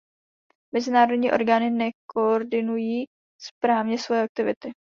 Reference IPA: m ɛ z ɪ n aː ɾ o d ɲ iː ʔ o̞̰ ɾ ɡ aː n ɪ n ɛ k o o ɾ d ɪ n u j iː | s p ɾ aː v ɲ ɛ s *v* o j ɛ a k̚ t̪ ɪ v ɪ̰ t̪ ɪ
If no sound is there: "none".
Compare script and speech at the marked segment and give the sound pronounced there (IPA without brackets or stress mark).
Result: v